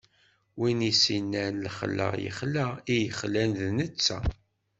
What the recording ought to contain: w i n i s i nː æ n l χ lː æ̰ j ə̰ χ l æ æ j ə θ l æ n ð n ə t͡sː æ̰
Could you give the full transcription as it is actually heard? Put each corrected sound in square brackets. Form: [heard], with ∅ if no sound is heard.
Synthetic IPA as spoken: w i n i s i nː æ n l χ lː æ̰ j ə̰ χ l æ [i] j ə [χ] l æ n ð n ə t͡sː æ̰

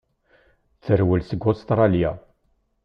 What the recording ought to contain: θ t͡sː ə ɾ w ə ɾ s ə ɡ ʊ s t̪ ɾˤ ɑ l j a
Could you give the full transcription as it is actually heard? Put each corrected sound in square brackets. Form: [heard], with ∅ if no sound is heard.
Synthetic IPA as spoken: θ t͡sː ə ɾ w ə [l] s ə ɡ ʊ s t̪ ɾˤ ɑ l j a

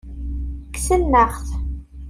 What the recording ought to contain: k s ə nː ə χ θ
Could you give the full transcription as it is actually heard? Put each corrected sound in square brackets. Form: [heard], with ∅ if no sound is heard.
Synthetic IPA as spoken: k s ə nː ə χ θ

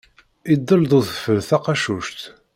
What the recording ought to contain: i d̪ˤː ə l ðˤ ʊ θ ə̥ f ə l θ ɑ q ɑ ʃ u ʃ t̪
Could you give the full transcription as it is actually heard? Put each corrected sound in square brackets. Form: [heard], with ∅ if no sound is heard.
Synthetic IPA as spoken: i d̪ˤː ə l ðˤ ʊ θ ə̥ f ə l θ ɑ q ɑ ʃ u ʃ t̪

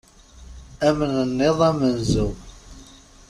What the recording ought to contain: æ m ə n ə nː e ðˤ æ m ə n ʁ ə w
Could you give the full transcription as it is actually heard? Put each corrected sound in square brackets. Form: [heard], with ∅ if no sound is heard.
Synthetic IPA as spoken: æ m ə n ə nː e ðˤ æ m ə n [z] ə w

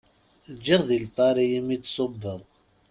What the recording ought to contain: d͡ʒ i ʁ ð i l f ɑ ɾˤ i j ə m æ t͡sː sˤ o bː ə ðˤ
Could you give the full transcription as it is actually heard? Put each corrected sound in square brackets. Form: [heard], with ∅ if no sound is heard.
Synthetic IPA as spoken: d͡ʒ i ʁ ð i l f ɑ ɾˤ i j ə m [i] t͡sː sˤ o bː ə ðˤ

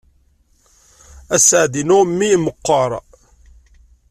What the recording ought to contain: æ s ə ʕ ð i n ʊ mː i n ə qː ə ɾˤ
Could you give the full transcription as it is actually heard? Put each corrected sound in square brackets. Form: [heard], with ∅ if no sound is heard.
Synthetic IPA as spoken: æ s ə ʕ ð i n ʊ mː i [m] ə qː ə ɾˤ

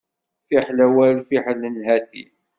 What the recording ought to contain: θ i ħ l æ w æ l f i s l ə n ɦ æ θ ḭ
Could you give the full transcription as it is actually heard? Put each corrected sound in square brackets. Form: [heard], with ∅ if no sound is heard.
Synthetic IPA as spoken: [f] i ħ l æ w æ l f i [ħ] l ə n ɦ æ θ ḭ

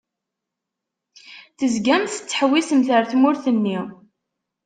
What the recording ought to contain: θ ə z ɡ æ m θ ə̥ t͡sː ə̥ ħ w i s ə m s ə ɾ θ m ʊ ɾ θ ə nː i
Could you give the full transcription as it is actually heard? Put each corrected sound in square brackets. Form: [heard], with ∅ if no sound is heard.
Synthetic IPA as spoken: θ ə z ɡ æ m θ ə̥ t͡sː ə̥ ħ w i s ə m [θ] ə ɾ θ m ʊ ɾ θ ə nː i

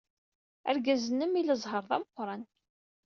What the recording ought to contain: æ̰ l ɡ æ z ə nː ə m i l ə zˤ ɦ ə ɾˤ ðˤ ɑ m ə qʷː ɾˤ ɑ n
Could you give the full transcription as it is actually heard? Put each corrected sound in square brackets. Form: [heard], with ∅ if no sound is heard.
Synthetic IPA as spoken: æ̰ [ɾ] ɡ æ z ə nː ə m i l ə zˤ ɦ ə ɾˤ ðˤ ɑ m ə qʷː ɾˤ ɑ n

